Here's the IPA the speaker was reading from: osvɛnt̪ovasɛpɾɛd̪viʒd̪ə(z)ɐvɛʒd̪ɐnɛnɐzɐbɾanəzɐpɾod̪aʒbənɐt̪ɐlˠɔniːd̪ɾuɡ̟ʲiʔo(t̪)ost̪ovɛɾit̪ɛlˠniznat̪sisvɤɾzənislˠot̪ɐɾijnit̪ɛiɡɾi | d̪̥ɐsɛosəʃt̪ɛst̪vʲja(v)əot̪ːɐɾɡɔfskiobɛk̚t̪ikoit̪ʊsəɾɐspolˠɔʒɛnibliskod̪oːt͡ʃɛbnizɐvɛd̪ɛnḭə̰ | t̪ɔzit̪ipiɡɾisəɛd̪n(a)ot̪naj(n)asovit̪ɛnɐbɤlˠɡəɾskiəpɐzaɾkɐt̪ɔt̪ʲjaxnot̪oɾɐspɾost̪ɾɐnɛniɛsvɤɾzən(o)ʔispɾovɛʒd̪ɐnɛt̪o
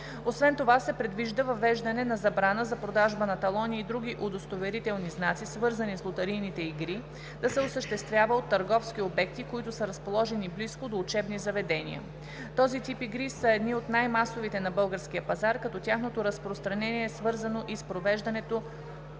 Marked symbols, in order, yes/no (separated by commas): no, no, yes, no, no, yes